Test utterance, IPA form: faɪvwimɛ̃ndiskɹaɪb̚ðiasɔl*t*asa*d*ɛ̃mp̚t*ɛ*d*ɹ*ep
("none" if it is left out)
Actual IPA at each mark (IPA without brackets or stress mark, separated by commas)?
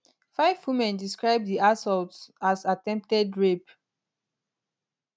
t, t, ɛ, ɹ